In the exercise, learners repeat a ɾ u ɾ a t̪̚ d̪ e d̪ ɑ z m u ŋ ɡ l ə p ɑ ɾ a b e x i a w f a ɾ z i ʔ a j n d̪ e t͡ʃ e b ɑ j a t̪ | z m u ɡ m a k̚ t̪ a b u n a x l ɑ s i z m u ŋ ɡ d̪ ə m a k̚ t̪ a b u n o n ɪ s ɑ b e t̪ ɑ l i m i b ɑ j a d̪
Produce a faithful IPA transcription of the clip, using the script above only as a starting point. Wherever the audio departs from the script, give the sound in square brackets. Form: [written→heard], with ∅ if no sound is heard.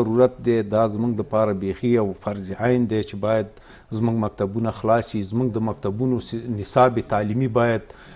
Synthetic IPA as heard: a ɾ u ɾ a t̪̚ d̪ e d̪ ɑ z m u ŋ ɡ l ə p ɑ ɾ a b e x i a w f a ɾ z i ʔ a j n d̪ e t͡ʃ e b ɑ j a [t̪→d̪] | z m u ɡ m a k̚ t̪ a b u n a x l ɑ s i z m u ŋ ɡ d̪ ə m a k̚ t̪ a b u n o n ɪ s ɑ b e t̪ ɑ l i m i b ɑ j a d̪